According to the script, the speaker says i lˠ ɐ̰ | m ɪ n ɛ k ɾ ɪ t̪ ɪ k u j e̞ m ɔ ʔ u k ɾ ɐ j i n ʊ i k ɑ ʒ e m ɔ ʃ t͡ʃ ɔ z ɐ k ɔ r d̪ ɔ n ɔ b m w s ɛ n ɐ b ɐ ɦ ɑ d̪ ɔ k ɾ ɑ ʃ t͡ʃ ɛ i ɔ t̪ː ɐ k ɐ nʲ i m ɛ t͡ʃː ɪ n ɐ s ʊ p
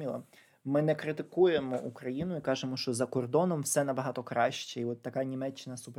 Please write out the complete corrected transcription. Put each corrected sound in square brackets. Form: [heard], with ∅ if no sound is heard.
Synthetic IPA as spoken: i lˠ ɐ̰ | m ɪ n ɛ k ɾ ɪ t̪ ɪ k u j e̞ m ɔ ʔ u k ɾ ɐ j i n ʊ i k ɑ ʒ e m ɔ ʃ t͡ʃ ɔ z ɐ k ɔ r d̪ ɔ n ɔ [∅] m w s ɛ n ɐ b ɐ ɦ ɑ [t̪] ɔ k ɾ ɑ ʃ t͡ʃ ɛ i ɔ t̪ː ɐ k [ɑ] nʲ i m ɛ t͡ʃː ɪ n ɐ s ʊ p